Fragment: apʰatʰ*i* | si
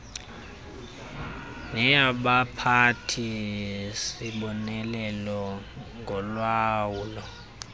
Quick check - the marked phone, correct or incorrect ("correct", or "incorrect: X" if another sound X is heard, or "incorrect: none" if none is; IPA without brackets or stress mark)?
correct